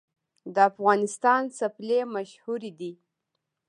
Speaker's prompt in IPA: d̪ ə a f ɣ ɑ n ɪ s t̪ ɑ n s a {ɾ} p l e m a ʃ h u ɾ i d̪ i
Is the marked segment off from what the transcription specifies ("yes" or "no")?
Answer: yes